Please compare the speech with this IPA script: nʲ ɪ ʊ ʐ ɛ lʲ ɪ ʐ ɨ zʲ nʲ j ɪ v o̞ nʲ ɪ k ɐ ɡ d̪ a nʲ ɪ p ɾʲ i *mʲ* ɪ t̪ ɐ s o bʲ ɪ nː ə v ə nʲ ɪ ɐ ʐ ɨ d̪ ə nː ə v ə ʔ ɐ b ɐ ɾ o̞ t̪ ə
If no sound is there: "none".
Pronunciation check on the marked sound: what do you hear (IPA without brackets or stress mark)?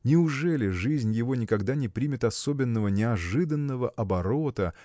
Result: mʲ